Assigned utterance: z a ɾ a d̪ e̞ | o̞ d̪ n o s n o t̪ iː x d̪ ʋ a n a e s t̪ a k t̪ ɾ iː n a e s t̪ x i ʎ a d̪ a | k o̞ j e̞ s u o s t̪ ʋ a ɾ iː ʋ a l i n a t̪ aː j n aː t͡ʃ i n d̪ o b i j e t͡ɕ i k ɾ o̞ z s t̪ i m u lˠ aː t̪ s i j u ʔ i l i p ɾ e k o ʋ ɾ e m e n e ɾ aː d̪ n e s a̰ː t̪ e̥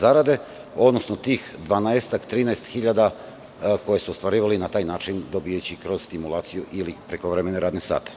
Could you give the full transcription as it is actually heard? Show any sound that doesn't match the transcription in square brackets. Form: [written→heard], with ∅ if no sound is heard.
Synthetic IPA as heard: z a ɾ a d̪ e̞ | o̞ d̪ n o s n o t̪ iː x d̪ ʋ a n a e s t̪ a k t̪ ɾ iː n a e s t̪ x i ʎ a d̪ a | k o̞ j e̞ s u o s t̪ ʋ a ɾ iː ʋ a l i n a t̪ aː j n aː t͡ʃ i n d̪ o b i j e t͡ɕ i k ɾ o̞ z s t̪ i m u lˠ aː t̪ s i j u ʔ i l i p ɾ e k o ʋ ɾ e m e n e ɾ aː d̪ n e s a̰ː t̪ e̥